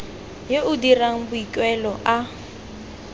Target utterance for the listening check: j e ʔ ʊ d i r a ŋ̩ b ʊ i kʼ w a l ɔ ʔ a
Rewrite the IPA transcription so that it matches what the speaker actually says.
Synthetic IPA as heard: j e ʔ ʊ d i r a ŋ̩ b ʊ i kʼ w ɛ l ɔ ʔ a